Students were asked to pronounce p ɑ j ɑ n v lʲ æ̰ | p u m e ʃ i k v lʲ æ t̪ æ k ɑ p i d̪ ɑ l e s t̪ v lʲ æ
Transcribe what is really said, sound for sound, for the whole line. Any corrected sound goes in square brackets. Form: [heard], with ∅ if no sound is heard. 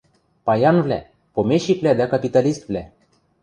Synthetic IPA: p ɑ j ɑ n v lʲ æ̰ | p [o] m e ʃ i k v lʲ æ [d̪] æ k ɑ p i [t̪] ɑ l [i] s t̪ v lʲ æ